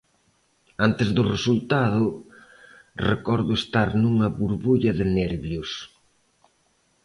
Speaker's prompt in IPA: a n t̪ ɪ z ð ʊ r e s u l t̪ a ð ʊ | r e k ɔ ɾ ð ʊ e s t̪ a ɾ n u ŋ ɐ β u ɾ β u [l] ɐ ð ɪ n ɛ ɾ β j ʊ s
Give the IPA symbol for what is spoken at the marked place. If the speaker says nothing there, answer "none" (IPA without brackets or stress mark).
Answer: ʎ